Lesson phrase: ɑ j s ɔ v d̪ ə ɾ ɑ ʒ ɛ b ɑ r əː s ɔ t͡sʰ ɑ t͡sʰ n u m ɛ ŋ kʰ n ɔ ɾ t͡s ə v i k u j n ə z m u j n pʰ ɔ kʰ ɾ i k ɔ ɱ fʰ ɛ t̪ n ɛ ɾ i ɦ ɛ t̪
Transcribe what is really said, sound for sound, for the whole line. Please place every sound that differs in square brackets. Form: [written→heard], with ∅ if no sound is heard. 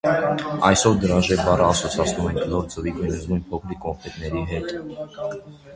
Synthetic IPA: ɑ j s ɔ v d̪ ə ɾ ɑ ʒ ɛ b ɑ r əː s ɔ t͡sʰ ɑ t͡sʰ n u m ɛ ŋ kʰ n ɔ ɾ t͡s ə v i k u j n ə z m u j n pʰ ɔ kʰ ɾ i k ɔ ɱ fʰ ɛ t̪ n ɛ ɾ i ɦ ɛ t̪